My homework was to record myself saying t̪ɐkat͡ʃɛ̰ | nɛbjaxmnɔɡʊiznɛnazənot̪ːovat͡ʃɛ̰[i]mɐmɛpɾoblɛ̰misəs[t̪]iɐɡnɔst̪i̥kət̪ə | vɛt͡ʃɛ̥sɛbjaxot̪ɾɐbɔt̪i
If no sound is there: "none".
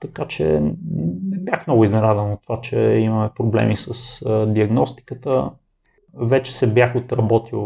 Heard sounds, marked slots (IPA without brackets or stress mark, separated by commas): i, d̪